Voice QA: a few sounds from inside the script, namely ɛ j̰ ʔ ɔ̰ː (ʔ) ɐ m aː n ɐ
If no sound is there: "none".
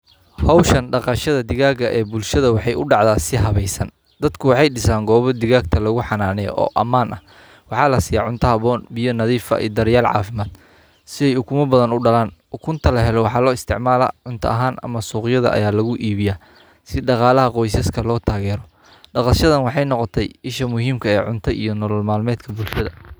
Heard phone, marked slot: ʔ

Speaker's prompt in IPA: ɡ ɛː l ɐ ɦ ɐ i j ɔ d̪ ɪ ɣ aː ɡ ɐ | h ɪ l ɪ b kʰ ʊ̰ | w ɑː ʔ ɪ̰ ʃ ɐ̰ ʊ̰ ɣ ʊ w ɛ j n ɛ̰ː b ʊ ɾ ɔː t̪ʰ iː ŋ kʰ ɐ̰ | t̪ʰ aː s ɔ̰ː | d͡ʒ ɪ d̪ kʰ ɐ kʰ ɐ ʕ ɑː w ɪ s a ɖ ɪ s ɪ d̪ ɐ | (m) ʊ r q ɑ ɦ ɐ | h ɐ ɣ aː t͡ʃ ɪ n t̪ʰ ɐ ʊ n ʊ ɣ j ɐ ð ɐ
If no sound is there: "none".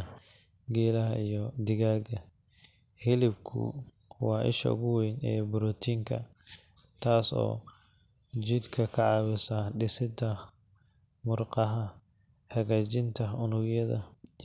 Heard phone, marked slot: m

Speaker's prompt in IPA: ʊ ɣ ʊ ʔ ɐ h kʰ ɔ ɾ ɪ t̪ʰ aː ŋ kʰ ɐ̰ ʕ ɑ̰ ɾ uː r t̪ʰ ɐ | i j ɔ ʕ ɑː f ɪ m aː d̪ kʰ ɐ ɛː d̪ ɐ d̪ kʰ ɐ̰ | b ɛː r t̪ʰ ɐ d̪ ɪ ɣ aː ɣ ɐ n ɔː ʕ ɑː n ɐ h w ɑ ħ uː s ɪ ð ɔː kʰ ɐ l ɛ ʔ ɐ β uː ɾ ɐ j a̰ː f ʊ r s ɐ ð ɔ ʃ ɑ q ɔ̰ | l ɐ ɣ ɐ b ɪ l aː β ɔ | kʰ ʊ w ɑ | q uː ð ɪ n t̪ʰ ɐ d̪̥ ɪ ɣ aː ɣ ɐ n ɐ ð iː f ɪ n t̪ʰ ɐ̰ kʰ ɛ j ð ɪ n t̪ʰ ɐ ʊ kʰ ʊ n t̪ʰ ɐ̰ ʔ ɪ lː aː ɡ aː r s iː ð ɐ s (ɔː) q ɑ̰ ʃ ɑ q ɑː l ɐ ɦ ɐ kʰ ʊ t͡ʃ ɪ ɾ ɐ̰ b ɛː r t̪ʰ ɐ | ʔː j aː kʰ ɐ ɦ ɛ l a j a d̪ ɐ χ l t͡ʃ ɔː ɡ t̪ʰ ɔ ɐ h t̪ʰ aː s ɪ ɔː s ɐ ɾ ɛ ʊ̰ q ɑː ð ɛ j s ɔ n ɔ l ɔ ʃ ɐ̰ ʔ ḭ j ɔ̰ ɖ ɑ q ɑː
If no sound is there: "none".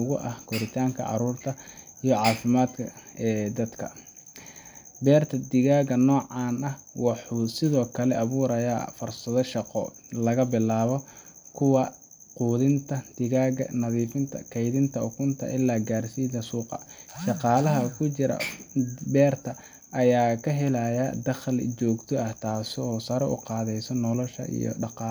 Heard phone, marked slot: uː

